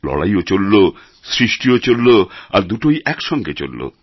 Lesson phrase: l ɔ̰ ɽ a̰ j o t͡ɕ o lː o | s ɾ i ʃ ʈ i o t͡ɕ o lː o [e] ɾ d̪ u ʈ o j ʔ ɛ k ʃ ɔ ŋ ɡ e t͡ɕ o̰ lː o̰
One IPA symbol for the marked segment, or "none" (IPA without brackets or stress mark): a